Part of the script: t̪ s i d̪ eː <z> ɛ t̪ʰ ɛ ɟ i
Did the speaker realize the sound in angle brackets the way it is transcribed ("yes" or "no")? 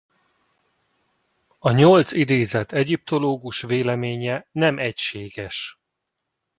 yes